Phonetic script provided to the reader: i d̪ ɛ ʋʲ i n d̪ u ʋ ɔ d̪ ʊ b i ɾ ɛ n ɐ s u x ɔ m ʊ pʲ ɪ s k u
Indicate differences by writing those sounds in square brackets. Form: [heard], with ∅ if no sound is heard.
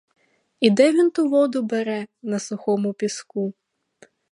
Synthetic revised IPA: i d̪ ɛ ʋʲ i n [t̪] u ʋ ɔ d̪ ʊ b [ɛ] ɾ ɛ n ɐ s [ʊ] x ɔ m ʊ pʲ [i] s k u